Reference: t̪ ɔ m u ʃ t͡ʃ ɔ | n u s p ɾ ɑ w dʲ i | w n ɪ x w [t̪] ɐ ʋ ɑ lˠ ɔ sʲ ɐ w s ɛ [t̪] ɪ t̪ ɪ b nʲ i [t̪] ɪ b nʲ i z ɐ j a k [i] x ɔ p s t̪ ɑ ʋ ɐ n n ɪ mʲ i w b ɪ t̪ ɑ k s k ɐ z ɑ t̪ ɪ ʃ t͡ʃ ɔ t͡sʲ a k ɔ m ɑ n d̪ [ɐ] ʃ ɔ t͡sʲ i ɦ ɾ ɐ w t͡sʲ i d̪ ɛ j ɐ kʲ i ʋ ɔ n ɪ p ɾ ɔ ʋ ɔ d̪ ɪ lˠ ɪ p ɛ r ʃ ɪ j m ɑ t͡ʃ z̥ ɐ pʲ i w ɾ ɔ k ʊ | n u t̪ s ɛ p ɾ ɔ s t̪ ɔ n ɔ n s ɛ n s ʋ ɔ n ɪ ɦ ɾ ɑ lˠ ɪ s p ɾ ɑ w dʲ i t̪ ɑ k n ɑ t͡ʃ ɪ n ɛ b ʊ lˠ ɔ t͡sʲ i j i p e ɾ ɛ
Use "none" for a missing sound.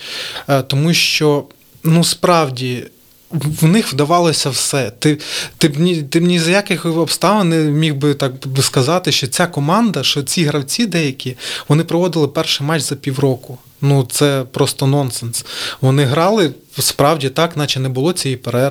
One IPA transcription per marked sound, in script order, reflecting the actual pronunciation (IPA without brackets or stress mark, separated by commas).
d̪, t̪, t̪, ɪ, ɐ